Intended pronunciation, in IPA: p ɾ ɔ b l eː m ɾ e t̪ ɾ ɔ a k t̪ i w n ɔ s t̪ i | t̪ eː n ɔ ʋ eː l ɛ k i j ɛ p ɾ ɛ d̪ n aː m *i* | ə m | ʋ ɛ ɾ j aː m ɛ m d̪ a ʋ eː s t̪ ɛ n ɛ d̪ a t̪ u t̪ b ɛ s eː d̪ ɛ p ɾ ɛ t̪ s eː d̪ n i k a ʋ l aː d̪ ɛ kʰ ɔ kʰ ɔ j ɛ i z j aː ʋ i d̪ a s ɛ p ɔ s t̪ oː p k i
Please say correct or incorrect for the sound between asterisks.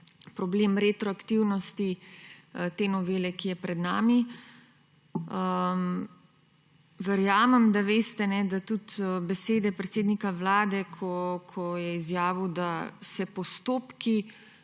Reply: correct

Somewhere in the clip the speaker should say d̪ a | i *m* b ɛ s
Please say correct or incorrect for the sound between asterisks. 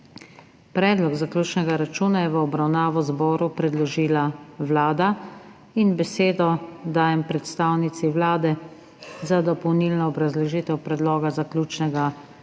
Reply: incorrect: n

